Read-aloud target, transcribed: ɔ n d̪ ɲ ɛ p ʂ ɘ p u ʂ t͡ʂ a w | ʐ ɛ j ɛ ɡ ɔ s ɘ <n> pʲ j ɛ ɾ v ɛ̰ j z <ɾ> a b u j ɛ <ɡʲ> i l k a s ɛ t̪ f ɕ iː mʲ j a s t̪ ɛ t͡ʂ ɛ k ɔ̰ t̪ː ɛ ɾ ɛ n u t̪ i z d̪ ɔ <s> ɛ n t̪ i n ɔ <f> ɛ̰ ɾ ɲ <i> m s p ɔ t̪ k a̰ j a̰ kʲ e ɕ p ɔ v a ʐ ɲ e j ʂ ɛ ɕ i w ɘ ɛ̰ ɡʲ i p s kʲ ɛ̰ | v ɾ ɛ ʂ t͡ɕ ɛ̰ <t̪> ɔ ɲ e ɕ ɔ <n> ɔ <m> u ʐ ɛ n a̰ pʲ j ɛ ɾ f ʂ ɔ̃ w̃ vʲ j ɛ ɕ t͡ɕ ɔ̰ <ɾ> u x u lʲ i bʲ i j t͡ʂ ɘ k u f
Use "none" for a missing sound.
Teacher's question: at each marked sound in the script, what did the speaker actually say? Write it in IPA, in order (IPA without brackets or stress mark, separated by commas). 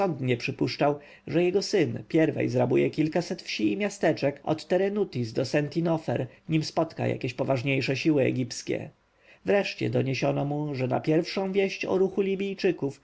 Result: n, ɾ, kʲ, s, f, i, d̪, n, m, ɾ